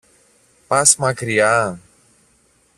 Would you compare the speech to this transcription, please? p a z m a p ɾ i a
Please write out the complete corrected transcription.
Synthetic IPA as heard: p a s m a k ɾ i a